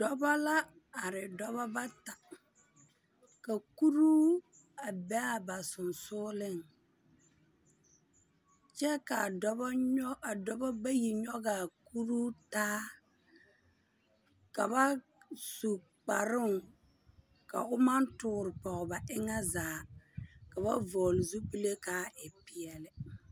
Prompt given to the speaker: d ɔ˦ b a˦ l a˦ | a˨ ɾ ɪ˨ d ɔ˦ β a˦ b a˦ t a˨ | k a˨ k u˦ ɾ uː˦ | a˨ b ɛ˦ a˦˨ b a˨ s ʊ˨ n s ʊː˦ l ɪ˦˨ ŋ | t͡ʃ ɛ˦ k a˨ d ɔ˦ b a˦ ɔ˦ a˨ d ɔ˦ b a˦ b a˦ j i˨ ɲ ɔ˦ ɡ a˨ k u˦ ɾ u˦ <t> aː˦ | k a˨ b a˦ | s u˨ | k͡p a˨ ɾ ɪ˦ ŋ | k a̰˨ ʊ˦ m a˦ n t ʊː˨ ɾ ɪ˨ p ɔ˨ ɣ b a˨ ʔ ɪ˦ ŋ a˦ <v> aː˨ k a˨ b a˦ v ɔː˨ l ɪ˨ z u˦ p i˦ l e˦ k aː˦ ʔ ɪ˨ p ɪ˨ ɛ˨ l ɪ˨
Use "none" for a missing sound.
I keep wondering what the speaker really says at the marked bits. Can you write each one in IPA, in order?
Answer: t, z

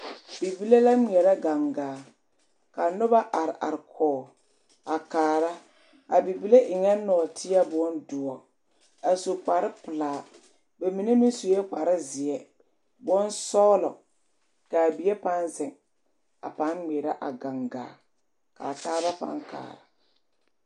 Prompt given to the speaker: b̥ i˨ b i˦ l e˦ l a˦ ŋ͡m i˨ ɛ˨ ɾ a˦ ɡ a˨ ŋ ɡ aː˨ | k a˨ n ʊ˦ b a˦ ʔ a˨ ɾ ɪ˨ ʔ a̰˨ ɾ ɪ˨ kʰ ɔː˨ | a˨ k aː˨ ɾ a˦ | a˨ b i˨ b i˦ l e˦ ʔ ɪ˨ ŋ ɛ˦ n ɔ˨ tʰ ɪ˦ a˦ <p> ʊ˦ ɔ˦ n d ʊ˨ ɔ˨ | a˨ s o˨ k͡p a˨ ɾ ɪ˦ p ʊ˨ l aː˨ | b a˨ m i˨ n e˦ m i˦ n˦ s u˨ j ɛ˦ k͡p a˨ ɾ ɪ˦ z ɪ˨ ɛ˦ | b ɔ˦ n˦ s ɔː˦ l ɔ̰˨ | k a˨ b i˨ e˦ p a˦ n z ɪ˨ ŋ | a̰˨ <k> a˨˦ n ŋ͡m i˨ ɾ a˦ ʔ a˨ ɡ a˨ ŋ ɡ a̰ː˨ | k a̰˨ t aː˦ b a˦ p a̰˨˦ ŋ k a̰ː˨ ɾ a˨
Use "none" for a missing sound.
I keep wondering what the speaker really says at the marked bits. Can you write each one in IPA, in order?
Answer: b, p

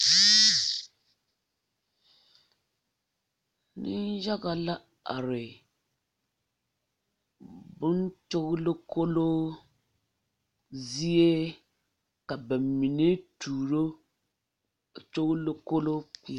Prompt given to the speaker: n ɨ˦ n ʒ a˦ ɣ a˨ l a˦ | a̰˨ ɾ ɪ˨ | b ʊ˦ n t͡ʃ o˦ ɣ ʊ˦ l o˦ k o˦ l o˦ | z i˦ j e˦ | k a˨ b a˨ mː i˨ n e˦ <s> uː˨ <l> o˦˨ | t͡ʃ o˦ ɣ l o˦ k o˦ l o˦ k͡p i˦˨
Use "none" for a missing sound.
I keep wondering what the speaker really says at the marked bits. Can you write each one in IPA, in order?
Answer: t, ɾ

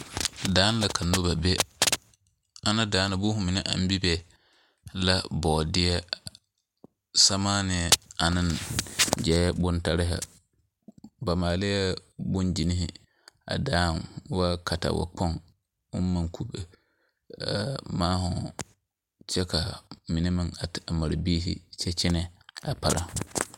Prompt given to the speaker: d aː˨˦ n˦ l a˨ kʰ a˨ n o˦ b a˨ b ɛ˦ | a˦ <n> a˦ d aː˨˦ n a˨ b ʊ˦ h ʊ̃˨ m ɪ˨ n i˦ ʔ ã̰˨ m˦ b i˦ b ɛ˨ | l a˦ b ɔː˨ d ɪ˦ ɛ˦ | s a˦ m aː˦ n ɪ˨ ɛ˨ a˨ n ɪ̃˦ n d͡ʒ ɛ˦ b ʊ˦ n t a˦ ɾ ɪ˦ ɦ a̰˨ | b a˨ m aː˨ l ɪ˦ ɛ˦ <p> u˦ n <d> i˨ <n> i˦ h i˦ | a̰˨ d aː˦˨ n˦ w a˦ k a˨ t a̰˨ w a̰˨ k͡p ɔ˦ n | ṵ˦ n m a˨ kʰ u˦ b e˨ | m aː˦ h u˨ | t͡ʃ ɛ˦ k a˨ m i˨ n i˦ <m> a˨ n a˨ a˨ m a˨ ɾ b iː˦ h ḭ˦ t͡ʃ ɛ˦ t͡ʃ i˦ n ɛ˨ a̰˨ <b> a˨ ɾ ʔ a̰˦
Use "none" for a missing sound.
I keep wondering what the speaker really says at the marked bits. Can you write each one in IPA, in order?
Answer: n, b, d͡ʒ, n, m, p

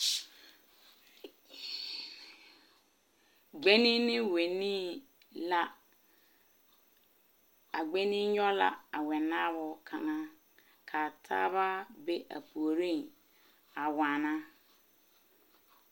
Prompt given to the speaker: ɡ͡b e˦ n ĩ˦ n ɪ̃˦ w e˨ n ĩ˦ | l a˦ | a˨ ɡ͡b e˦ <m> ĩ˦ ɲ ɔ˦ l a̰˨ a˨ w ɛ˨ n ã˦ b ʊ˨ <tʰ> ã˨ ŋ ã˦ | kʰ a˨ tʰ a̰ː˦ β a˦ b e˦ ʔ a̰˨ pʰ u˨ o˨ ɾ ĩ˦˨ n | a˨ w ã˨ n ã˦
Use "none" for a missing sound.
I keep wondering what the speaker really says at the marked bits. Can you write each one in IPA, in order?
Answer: n, kʰ

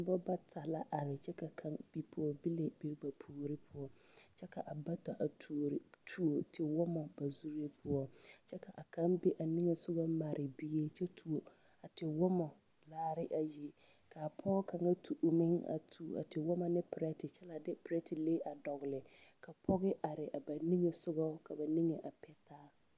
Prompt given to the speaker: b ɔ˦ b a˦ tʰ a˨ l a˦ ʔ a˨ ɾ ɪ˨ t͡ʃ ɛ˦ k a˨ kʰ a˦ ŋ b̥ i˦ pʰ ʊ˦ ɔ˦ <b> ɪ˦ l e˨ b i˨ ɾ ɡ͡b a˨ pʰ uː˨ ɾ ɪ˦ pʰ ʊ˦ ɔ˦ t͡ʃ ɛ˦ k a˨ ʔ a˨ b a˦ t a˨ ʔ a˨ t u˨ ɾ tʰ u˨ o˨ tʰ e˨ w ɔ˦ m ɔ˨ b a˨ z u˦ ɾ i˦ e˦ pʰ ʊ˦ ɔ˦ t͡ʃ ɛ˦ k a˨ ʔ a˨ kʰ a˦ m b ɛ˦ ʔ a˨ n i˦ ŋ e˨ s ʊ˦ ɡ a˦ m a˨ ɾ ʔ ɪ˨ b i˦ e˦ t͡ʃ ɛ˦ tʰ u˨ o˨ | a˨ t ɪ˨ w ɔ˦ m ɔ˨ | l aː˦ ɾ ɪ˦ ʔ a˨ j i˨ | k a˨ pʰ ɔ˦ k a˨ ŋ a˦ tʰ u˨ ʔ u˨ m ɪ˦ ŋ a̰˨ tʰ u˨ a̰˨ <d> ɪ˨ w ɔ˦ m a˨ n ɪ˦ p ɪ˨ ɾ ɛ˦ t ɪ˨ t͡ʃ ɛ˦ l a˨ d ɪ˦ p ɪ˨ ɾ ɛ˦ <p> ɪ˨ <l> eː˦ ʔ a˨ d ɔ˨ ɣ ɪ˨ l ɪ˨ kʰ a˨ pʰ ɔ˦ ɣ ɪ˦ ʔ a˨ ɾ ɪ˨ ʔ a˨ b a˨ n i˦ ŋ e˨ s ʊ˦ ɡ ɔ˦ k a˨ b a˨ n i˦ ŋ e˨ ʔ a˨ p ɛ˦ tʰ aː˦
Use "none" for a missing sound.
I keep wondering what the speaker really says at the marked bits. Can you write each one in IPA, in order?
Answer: b, t, t, l

